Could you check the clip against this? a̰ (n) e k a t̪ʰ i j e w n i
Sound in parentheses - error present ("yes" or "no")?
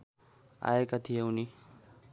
yes